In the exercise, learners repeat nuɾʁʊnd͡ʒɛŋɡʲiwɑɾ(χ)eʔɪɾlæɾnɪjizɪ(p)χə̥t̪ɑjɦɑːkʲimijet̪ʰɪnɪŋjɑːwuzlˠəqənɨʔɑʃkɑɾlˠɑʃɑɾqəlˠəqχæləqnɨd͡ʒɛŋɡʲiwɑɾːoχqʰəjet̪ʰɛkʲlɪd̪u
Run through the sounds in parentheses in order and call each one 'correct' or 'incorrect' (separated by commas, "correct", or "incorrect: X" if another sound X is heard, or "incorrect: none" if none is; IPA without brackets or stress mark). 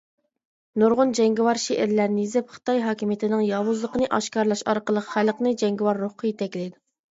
incorrect: ʃ, correct